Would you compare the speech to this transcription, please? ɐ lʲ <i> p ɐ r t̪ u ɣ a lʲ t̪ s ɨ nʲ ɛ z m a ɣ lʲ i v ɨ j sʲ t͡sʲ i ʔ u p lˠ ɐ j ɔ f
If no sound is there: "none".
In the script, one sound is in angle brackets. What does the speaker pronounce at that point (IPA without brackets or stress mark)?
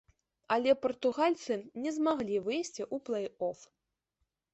ɛ